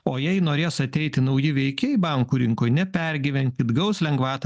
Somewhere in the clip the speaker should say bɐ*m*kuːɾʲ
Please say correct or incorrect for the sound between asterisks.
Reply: incorrect